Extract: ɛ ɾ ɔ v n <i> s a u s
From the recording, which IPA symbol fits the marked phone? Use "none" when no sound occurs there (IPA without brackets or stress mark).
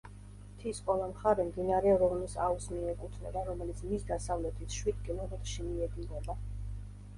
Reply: i